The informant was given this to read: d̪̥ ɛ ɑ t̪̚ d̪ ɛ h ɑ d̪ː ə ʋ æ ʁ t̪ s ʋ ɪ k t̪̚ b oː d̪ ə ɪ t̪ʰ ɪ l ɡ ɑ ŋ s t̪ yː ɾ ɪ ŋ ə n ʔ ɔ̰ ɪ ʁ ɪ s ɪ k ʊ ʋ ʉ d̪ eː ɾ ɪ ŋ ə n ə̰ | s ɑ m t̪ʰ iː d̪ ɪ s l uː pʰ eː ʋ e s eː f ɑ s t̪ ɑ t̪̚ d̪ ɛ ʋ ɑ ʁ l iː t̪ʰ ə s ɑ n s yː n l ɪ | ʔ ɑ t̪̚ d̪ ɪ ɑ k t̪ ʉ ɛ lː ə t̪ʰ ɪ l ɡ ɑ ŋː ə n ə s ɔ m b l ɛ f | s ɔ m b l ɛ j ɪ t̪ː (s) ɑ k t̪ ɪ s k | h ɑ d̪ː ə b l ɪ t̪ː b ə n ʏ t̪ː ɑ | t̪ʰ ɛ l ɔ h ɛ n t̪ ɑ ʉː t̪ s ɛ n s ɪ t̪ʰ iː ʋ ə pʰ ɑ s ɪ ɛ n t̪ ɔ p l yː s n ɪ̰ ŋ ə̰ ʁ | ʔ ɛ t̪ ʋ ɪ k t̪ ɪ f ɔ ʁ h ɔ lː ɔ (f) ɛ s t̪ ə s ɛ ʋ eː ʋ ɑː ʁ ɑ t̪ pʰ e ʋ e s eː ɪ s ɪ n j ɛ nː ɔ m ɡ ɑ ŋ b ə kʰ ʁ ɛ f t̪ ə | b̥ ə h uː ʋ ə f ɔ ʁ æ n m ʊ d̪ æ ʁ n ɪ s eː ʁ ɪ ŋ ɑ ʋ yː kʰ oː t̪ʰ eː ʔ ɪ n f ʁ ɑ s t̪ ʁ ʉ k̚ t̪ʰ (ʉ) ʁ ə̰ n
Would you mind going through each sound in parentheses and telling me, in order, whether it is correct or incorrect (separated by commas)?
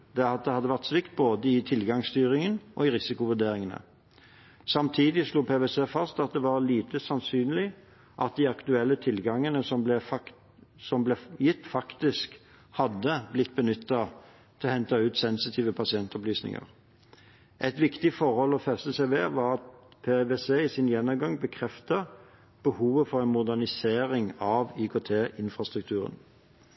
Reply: incorrect, correct, incorrect